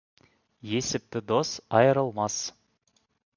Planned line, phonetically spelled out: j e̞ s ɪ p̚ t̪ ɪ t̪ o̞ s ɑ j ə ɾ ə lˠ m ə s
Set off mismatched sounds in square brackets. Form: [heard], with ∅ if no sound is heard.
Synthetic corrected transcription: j e̞ s ɪ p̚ t̪ ɪ [d̪] o̞ s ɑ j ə ɾ ə lˠ m [ɑ] s